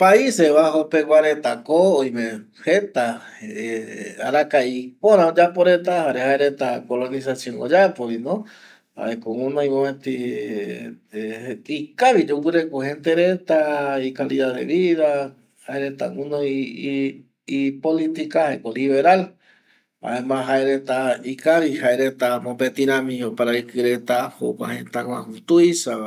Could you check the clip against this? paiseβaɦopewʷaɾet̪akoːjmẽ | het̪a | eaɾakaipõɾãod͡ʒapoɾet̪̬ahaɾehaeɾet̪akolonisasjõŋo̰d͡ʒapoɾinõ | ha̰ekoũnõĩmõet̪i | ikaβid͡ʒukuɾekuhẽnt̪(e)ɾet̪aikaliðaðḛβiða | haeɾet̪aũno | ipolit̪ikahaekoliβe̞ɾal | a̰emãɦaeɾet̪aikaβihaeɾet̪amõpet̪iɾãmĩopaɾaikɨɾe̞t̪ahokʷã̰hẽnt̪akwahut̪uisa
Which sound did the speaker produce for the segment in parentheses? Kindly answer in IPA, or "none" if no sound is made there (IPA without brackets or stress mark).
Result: e